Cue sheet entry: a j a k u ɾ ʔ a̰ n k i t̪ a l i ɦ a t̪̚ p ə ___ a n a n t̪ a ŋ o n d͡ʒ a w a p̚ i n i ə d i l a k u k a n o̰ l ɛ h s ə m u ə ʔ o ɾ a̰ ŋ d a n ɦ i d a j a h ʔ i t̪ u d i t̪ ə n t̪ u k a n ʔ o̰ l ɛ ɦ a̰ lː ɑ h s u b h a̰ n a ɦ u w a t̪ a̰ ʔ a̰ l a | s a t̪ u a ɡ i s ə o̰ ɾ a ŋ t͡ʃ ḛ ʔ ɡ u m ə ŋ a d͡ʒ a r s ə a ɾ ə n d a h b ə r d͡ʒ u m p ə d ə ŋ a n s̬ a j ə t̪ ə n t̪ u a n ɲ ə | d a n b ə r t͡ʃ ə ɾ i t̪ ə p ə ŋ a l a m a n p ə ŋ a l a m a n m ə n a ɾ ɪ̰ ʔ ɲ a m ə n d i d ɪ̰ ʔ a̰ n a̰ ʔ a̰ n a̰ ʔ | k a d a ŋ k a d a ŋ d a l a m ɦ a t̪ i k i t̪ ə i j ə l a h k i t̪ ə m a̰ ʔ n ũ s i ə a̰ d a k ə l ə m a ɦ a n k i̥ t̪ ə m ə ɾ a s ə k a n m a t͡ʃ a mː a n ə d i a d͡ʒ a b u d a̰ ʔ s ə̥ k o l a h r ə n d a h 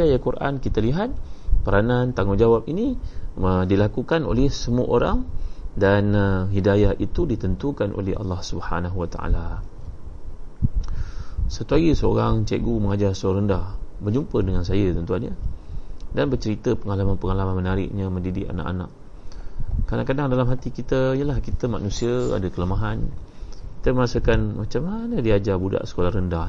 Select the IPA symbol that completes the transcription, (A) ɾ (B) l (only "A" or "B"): A